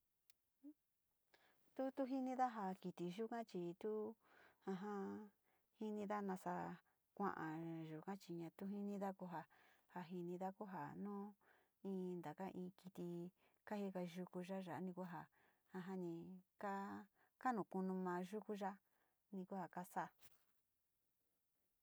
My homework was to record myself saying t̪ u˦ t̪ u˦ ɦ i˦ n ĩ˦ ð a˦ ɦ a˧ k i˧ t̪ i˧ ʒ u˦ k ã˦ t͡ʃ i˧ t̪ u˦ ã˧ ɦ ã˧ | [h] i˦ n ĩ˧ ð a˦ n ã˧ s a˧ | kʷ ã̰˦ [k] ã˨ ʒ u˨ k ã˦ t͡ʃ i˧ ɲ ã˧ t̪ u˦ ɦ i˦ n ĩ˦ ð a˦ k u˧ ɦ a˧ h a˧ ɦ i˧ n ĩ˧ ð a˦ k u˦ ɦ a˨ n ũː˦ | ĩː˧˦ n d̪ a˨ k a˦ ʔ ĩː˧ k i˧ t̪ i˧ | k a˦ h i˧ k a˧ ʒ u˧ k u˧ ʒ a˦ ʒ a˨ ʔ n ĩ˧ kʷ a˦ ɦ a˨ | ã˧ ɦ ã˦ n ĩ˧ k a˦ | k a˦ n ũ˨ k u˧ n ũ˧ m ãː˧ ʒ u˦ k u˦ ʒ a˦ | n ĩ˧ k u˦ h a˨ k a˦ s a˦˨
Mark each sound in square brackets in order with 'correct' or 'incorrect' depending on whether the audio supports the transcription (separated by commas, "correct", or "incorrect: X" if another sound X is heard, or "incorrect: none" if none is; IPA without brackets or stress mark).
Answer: correct, incorrect: ʔ